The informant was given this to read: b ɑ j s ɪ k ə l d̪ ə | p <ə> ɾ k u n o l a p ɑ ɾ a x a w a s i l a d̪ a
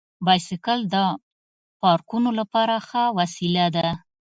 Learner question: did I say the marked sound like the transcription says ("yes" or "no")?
no